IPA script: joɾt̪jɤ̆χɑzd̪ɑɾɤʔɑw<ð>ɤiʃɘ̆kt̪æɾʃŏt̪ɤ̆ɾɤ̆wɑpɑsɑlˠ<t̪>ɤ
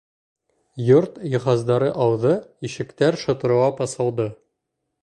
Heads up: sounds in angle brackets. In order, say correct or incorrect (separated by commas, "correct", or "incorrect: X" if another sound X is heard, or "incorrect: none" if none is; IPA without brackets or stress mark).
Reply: correct, incorrect: d̪